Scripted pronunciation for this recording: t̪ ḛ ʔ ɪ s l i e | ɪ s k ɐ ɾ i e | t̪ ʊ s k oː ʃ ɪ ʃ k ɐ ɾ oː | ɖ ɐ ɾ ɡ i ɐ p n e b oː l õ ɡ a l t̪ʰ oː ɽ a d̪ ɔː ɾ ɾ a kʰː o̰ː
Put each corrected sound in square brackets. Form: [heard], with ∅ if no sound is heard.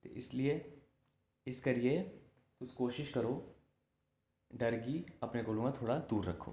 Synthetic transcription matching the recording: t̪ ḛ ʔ ɪ s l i e | ɪ s k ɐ ɾ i e | t̪ ʊ s k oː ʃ ɪ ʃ k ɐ ɾ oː | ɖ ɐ ɾ ɡ i ɐ p n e [ɡ] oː l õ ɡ a [∅] t̪ʰ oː ɽ a d̪ [uː] ɾ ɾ [ɐ] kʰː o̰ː